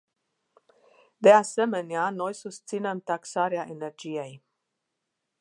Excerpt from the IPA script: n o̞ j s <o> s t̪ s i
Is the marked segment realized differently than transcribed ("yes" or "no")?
yes